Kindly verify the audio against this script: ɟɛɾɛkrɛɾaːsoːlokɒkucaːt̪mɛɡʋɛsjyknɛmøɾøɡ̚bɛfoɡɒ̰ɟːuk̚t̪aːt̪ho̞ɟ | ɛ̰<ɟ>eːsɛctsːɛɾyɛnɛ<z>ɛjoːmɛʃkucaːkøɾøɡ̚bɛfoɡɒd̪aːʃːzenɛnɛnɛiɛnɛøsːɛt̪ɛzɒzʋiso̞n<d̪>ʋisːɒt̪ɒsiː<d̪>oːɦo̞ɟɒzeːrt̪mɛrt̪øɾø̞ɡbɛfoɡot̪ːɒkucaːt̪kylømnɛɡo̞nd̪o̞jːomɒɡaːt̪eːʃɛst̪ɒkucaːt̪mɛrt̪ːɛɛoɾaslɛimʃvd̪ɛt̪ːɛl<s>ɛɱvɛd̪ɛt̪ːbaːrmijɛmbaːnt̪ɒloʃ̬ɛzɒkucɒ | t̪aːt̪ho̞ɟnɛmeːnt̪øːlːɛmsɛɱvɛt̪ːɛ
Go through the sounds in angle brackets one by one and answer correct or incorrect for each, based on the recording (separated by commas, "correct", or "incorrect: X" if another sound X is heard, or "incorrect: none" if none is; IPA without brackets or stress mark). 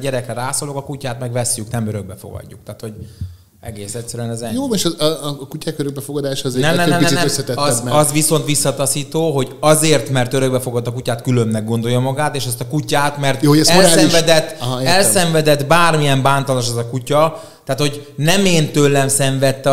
incorrect: ɡ, correct, incorrect: t̪, incorrect: t̪, correct